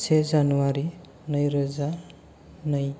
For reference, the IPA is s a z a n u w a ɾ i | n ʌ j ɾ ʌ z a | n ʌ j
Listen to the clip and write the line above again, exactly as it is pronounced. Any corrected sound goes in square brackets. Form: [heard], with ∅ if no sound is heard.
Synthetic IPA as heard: s [e] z a n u w a ɾ i | n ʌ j ɾ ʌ z a | n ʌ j